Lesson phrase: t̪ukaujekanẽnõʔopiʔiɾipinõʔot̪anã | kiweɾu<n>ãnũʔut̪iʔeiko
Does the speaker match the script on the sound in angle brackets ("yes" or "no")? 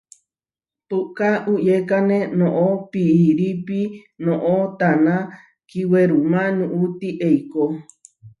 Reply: no